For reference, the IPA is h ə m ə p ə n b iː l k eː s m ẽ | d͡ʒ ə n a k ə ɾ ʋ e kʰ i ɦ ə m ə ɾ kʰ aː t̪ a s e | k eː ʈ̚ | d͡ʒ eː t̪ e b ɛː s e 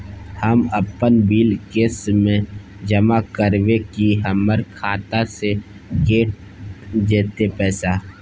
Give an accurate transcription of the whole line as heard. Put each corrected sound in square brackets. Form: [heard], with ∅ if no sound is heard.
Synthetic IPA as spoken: h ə m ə p ə n b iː l k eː s m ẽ | d͡ʒ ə [m] a k ə ɾ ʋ e [k] i ɦ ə m ə ɾ kʰ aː t̪ a s e | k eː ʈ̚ | d͡ʒ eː t̪ e [p] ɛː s [a]